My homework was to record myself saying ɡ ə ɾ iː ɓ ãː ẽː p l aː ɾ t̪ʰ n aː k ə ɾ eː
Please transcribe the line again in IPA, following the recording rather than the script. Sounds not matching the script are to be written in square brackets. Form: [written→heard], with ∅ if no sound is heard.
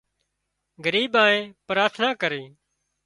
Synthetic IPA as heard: ɡ ə ɾ iː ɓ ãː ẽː p [l→ɾ] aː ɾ t̪ʰ n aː k ə ɾ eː

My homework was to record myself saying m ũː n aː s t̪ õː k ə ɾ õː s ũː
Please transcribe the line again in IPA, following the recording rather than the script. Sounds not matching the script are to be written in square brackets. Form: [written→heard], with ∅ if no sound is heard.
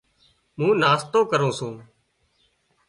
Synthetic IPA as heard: m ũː n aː s t̪ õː k ə ɾ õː s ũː

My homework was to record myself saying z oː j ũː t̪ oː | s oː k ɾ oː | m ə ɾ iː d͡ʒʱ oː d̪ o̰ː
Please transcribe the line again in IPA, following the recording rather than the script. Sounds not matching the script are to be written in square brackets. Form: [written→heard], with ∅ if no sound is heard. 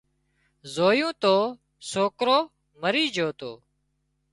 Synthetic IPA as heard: z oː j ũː t̪ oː | s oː k ɾ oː | m ə ɾ iː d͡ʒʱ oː [d̪→t̪] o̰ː

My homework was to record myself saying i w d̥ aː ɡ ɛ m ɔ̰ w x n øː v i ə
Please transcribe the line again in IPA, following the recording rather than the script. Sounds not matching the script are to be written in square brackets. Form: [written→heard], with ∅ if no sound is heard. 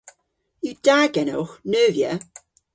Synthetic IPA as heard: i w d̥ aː ɡ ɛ [m→n] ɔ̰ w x n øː v [i→j] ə

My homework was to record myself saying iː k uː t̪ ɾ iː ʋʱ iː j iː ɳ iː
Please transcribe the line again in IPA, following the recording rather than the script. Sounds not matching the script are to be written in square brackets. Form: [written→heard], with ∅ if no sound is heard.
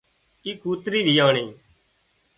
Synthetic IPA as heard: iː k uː t̪ ɾ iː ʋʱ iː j [iː→aː] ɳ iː

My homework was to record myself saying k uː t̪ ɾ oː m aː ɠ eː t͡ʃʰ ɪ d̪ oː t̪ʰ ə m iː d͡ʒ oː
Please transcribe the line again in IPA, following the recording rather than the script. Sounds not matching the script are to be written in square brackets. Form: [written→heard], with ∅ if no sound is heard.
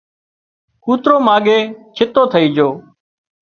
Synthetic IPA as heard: k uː t̪ ɾ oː m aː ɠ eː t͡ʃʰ ɪ [d̪→t̪] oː t̪ʰ ə [m→∅] iː d͡ʒ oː

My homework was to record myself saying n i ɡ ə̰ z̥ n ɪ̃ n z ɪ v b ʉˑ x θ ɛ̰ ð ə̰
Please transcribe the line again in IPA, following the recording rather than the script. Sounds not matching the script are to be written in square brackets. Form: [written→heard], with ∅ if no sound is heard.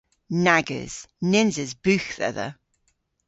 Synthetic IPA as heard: n [i→a] ɡ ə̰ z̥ n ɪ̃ n z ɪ [v→z] b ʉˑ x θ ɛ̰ ð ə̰

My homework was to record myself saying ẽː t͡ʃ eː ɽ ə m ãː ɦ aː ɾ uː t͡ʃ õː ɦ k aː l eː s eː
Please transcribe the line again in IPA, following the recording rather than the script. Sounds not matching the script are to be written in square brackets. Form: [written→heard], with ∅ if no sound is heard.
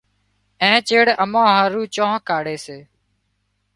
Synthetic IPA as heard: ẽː t͡ʃ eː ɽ ə m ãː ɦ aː ɾ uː t͡ʃ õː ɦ k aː [l→ɽ] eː s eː

